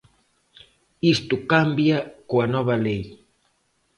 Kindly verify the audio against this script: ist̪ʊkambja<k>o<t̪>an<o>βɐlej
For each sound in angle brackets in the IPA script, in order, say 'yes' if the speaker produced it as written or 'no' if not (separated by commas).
yes, no, no